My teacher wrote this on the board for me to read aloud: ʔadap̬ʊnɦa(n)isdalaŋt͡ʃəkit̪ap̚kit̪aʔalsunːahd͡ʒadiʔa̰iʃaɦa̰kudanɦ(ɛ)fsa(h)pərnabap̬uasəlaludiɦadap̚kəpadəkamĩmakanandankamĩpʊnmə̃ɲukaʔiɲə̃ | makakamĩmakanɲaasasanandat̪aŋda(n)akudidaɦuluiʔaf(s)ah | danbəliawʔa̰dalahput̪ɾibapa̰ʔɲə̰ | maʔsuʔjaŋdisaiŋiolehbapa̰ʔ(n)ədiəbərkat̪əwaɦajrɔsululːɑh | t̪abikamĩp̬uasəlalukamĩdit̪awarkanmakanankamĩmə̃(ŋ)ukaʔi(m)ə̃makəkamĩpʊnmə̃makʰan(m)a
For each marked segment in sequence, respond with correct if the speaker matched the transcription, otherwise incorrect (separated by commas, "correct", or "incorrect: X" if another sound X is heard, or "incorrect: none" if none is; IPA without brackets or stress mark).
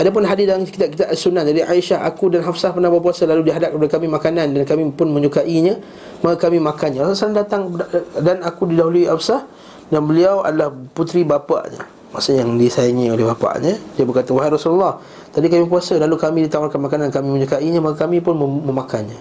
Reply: incorrect: d, incorrect: a, correct, correct, correct, incorrect: ɲ, incorrect: ɲ, incorrect: ɲ, incorrect: ɲ